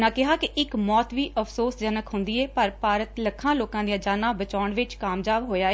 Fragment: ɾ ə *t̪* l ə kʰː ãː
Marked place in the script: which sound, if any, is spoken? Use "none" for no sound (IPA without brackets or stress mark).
t̪